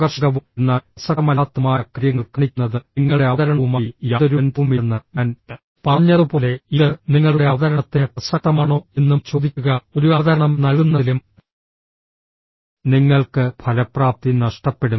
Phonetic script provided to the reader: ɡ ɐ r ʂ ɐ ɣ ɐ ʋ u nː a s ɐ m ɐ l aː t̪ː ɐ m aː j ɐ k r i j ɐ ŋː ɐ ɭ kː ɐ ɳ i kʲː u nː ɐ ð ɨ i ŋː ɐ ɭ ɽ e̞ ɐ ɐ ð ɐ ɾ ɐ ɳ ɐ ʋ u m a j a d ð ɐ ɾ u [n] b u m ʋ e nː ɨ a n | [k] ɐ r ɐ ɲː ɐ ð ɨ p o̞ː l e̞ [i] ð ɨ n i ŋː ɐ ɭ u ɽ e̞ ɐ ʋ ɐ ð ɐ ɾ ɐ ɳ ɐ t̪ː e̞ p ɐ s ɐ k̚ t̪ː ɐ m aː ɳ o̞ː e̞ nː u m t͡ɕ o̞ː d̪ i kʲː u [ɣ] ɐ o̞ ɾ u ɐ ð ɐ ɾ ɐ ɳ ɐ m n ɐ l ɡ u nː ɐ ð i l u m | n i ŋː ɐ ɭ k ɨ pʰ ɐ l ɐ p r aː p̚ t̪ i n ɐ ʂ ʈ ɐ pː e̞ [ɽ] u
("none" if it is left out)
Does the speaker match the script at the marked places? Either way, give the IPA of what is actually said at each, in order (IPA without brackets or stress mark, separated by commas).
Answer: n, p, i, ɣ, ɽ